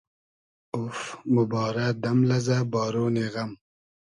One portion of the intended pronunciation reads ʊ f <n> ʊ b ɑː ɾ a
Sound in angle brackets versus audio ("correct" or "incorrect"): incorrect